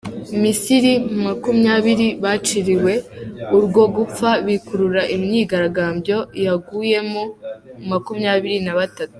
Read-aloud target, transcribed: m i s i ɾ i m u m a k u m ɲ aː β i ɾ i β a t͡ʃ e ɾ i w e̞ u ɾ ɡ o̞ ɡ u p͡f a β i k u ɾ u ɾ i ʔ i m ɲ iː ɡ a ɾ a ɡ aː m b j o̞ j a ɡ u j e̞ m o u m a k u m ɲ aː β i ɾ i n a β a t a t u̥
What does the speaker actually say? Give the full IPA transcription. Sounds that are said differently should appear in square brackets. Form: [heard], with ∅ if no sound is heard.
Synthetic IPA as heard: m i s i ɾ i m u m a k u m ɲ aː β i ɾ i β a t͡ʃ [i] ɾ i w e̞ u ɾ ɡ o̞ ɡ u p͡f a β i k u ɾ u ɾ [a] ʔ i m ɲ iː ɡ a ɾ a ɡ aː m b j o̞ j a ɡ u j e̞ m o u m a k u m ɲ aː β i ɾ i n a β a t a t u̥